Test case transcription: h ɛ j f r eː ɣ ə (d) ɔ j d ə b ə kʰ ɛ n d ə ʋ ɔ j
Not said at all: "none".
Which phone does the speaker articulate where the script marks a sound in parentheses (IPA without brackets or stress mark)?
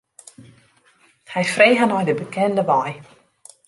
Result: n